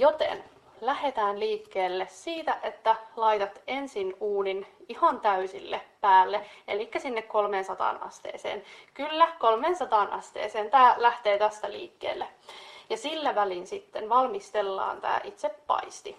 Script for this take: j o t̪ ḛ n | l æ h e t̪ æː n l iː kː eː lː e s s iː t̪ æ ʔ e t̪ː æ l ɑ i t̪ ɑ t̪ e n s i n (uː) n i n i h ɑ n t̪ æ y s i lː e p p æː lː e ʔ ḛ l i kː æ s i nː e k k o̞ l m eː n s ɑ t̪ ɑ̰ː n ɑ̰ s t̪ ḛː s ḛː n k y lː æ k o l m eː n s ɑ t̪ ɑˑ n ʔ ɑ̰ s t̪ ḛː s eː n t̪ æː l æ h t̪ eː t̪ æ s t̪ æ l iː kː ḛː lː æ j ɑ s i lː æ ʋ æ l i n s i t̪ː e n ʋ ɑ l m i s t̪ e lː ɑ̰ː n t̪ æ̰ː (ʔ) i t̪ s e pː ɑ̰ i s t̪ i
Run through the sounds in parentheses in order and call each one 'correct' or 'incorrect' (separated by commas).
correct, correct